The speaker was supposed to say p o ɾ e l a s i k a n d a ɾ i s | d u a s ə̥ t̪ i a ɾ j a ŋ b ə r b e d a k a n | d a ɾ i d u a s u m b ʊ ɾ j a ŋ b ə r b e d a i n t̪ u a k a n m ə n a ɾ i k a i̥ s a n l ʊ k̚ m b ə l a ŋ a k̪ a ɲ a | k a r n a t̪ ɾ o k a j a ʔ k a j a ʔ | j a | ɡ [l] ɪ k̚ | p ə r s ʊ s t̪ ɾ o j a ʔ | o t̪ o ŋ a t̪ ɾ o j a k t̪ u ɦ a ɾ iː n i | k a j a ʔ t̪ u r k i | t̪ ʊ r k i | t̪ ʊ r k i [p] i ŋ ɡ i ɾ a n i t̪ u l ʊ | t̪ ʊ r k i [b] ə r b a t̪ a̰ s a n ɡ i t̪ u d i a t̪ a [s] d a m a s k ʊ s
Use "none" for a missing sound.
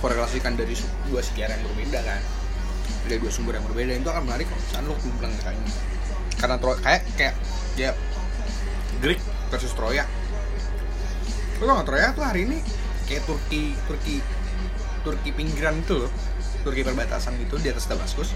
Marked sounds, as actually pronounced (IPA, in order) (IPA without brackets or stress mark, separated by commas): ɾ, p, p, s